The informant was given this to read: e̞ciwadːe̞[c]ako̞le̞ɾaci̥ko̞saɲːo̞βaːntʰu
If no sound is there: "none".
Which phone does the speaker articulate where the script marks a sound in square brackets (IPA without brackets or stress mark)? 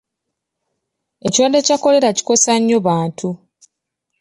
c